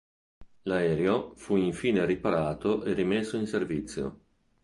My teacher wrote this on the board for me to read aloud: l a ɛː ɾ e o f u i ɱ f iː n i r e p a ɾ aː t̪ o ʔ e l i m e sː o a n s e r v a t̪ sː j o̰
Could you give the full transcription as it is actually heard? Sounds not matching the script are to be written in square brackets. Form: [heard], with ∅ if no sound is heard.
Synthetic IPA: l a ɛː ɾ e o f u i ɱ f iː n [e] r [i] p a ɾ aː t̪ o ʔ e [r] i m e sː o [i] n s e r v [i] t̪ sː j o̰

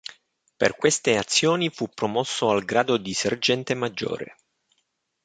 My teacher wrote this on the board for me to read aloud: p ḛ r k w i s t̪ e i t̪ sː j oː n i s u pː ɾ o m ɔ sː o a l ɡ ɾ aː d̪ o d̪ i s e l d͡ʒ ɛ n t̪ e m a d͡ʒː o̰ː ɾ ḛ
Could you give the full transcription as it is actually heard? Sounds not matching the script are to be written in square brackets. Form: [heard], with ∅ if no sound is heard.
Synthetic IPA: p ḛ r k w [e] s t̪ e [a] t̪ sː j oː n i [f] u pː ɾ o m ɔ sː o a l ɡ ɾ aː d̪ o d̪ i s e [r] d͡ʒ ɛ n t̪ e m a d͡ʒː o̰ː ɾ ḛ

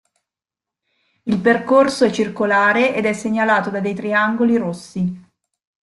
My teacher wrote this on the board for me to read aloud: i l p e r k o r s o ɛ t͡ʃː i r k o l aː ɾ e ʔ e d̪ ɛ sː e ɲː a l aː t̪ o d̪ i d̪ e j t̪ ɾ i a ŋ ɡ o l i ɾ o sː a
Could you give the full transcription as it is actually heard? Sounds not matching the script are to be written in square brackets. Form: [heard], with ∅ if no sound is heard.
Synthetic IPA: i l p e r k o r s o ɛ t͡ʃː i r k o l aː ɾ e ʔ e d̪ ɛ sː e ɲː a l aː t̪ o d̪ [a] d̪ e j t̪ ɾ i a ŋ ɡ o l i ɾ o sː [i]

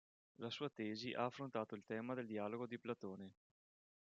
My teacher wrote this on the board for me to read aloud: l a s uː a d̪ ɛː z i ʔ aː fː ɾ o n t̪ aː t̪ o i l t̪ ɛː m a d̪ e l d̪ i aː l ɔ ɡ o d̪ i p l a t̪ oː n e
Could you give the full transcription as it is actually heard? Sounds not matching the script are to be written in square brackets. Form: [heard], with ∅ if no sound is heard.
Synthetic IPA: l a s uː a [t̪] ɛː z i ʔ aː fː ɾ o n t̪ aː t̪ o i l t̪ ɛː m a d̪ e l d̪ i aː l [o] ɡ o d̪ i p l a t̪ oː n e

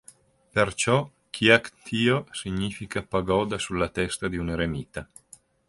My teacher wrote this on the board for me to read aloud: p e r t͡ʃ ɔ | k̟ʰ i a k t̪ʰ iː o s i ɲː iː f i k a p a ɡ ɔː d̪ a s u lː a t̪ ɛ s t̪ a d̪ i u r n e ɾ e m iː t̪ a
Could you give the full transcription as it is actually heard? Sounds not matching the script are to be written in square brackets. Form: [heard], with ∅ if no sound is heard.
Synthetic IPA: p e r t͡ʃ ɔ | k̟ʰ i a k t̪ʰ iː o s i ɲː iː f i k a p a ɡ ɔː d̪ a s u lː a t̪ ɛ s t̪ a d̪ i u [∅] n e ɾ e m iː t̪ a

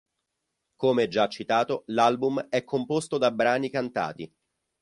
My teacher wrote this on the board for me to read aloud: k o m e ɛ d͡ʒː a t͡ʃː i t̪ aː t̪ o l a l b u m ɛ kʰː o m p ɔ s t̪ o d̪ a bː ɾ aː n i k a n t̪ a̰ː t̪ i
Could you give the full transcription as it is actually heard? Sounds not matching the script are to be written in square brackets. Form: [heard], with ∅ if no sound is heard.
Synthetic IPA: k o m e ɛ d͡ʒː a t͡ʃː i t̪ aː t̪ o l a l b u m ɛ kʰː o m p [o] s t̪ o d̪ a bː ɾ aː n i k a n t̪ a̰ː t̪ i

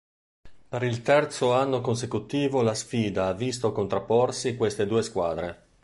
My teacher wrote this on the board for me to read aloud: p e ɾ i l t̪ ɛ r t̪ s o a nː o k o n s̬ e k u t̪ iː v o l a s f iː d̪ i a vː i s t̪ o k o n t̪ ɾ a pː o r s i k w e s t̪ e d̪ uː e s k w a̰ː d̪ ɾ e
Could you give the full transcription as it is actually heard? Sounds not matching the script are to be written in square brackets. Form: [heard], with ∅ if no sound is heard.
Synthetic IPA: p e ɾ i l t̪ ɛ r t̪ s o a nː o k o n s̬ e k u t̪ iː v o l a s f iː d̪ [a] a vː i s t̪ o k o n t̪ ɾ a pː o r s i k w e s t̪ e d̪ uː e s k w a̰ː d̪ ɾ e

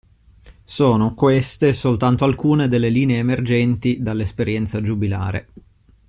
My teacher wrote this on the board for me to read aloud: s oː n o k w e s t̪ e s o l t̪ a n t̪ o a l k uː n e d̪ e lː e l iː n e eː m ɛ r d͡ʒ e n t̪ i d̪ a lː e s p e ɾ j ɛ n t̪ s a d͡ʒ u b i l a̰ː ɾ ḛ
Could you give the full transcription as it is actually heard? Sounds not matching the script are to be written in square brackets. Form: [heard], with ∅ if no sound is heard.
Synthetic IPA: s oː n o k w e s t̪ e s o l t̪ a n t̪ o a l k uː n e d̪ e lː e l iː n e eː m [e] r d͡ʒ [ɛ] n t̪ i d̪ a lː e s p e ɾ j ɛ n t̪ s a d͡ʒ u b i l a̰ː ɾ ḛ

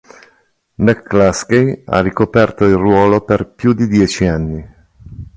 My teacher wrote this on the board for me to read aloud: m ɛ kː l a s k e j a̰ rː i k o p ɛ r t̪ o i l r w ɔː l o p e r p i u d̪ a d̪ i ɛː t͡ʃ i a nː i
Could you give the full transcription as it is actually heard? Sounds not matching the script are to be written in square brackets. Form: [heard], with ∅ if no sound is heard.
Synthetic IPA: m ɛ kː l a s k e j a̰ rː i k o p ɛ r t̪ o i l r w ɔː l o p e r p [j] u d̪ [i] d̪ [j] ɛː t͡ʃ i a nː i

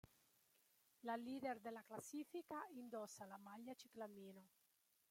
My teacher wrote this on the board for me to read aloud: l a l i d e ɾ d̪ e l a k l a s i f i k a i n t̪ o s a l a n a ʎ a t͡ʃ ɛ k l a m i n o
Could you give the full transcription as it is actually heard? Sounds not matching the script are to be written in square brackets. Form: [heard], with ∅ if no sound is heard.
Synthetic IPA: l a l i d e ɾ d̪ e l a k l a s i f i k a i n [d̪] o s a l a [m] a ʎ a t͡ʃ [i] k l a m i n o

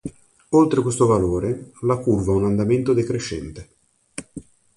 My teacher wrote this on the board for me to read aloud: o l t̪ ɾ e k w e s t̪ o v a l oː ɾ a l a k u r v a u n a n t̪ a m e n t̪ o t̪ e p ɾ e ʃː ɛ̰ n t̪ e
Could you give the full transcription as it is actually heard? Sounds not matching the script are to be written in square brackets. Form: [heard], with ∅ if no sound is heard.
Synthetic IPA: o l t̪ ɾ e k w e s t̪ o v a l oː ɾ [e] l a k u r v a u n a n [d̪] a m e n t̪ o [d̪] e [k] ɾ e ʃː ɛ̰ n t̪ e

